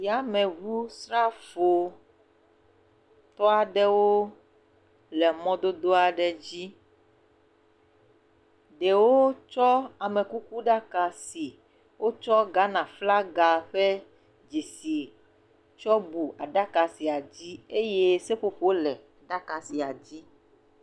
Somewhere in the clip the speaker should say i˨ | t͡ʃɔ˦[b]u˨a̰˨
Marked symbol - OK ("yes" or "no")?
yes